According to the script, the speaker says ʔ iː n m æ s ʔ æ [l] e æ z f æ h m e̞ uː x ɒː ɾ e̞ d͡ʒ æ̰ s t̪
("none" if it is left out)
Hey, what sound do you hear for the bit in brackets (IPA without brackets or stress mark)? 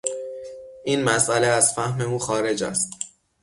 l